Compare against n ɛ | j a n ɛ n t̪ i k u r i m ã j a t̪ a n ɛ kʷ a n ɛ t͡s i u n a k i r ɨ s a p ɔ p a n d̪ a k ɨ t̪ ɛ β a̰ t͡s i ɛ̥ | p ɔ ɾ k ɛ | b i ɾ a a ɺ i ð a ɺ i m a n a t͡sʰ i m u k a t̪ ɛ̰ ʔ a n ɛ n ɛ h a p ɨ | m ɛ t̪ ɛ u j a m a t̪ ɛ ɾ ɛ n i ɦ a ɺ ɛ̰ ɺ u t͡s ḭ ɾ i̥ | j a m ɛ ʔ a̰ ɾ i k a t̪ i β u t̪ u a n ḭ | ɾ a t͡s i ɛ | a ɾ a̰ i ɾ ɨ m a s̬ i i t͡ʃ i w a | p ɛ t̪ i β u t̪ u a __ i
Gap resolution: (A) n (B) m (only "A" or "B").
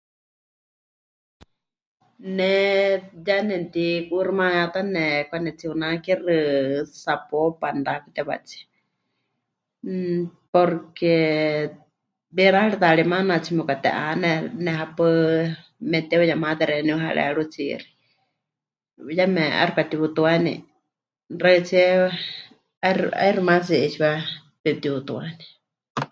A